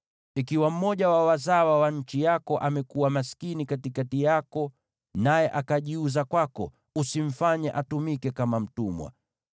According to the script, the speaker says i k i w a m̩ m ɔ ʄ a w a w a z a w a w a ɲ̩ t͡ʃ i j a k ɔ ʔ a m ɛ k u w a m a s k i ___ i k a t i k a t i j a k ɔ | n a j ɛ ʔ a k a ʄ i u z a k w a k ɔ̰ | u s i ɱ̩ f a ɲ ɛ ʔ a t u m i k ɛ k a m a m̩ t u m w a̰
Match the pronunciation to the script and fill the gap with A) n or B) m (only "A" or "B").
A